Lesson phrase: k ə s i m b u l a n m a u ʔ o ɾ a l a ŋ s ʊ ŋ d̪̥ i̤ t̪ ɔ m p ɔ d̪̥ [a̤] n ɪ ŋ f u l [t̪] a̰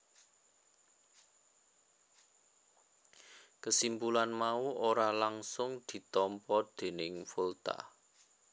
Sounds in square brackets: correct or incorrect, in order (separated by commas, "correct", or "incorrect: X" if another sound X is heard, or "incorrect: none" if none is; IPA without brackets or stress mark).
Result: incorrect: e̤, correct